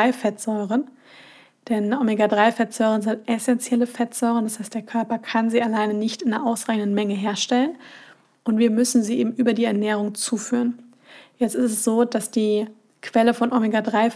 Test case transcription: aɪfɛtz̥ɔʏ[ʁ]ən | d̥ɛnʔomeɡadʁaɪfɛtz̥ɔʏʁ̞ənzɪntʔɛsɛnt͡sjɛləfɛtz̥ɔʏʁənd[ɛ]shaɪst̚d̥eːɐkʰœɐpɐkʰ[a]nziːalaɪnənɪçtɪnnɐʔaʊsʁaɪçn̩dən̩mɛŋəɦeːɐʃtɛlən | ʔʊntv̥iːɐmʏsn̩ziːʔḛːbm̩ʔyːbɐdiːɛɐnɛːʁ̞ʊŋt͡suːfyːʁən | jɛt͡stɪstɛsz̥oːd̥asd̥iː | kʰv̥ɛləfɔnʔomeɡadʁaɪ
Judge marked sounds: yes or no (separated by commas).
yes, no, yes